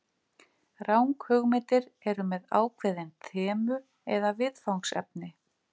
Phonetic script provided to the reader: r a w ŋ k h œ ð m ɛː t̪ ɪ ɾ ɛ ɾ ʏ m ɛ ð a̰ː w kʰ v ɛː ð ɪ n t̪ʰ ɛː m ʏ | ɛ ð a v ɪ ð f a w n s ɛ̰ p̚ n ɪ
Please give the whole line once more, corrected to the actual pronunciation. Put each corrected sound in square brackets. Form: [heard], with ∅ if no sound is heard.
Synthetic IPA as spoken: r a w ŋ k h œ [ɣ] m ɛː t̪ ɪ ɾ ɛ ɾ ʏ m ɛ ð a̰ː w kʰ v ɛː ð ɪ n t̪ʰ ɛː m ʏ | ɛ ð a v ɪ ð f a w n s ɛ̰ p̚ n ɪ